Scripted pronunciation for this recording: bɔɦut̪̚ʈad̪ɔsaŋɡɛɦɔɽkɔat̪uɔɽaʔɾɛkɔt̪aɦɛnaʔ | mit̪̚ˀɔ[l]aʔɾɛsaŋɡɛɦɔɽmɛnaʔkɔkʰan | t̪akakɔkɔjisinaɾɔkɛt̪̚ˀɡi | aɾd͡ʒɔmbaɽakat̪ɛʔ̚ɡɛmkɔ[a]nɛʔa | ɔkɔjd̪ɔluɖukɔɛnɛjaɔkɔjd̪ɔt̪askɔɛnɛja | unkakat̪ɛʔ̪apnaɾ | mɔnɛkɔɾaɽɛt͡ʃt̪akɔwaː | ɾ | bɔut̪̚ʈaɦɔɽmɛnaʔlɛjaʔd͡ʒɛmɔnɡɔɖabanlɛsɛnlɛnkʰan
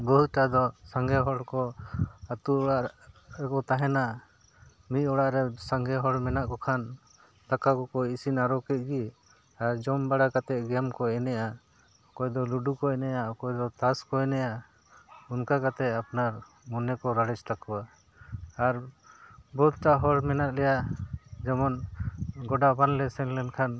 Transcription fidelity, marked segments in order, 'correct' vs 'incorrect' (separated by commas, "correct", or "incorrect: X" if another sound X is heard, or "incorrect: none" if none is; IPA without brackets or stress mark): incorrect: ɽ, incorrect: ɛ